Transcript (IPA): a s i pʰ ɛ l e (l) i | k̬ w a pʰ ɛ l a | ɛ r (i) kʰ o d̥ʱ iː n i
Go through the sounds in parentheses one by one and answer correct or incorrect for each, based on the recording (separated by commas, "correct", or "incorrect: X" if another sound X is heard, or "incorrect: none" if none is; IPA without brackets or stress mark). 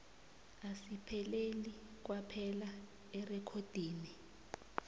correct, incorrect: ɛ